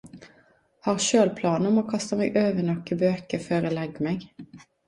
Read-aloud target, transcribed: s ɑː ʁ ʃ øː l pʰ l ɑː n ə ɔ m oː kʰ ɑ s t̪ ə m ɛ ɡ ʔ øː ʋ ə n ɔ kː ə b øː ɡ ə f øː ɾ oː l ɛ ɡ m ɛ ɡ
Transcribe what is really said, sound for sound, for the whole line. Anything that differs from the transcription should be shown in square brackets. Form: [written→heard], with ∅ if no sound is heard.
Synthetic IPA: [s→h] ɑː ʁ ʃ øː l pʰ l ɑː n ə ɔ m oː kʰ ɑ s t̪ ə m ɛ ɡ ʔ øː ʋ ə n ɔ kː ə b øː [ɡ→k] ə f øː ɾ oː l ɛ ɡ m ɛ ɡ